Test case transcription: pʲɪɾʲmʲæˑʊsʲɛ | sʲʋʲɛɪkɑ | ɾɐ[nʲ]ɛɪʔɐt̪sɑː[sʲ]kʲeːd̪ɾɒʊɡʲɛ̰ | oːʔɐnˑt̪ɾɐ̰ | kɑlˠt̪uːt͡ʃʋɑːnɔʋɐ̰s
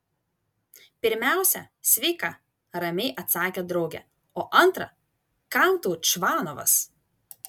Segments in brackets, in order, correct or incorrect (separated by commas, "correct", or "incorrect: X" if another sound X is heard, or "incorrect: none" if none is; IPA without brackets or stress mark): incorrect: mʲ, incorrect: none